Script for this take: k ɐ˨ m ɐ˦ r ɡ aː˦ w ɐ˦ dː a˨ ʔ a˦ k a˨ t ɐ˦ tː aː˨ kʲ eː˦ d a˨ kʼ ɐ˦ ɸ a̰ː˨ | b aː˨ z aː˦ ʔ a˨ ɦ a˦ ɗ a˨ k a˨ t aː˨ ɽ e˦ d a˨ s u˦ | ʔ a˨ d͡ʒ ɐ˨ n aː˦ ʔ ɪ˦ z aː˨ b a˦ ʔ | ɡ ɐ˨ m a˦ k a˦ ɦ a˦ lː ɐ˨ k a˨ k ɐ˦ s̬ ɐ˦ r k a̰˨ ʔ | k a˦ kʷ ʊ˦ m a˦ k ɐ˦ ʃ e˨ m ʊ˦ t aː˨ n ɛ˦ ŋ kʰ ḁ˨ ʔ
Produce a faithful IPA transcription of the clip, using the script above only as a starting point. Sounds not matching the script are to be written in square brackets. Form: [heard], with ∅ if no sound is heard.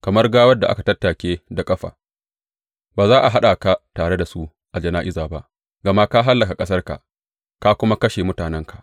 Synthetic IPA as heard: k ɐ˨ m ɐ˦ r ɡ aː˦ w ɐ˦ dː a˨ ʔ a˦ k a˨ t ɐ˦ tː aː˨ kʲ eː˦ d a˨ kʼ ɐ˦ ɸ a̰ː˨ | b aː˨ z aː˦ ʔ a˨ ɦ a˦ ɗ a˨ k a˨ t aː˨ ɽ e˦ d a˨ s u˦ | ʔ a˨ d͡ʒ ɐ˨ n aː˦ ʔ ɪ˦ z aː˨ b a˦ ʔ | ɡ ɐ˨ m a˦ k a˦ ɦ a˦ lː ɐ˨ k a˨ [kʼ] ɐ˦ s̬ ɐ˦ r k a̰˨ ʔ | k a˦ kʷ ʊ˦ m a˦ k ɐ˦ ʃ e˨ m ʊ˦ t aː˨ n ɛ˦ ŋ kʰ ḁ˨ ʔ